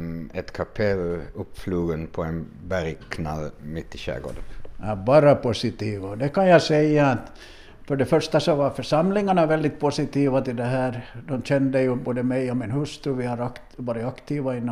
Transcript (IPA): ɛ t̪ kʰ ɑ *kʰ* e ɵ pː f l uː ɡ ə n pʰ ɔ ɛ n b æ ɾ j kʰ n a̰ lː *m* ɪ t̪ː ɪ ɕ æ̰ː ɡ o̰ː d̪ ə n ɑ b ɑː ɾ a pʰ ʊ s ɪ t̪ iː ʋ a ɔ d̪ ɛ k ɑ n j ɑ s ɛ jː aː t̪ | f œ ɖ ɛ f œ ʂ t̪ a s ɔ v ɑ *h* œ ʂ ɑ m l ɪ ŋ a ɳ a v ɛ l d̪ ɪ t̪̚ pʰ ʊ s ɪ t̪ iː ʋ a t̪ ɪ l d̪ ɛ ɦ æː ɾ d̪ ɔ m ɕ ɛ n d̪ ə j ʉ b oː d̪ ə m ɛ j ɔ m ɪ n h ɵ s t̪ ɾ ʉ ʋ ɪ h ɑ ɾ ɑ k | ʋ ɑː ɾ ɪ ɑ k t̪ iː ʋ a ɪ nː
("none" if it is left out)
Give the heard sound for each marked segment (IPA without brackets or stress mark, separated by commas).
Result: pʰ, m, f